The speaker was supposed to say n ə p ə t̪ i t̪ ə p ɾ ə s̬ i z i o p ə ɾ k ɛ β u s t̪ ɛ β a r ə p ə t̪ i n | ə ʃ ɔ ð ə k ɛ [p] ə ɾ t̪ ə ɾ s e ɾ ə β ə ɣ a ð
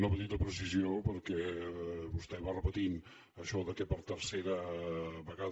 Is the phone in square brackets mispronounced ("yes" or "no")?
no